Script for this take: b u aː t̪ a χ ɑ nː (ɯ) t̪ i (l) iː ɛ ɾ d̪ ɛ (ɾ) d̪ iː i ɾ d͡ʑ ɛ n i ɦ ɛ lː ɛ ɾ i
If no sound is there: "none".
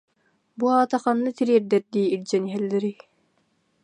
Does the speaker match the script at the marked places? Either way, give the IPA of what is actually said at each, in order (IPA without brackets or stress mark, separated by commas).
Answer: ɯ, ɾ, ɾ